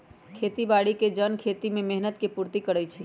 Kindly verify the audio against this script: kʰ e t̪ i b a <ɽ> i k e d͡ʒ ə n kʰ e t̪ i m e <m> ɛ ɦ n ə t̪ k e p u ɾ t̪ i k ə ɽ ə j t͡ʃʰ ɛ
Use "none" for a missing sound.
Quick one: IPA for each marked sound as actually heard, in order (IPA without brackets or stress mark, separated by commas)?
ɽ, m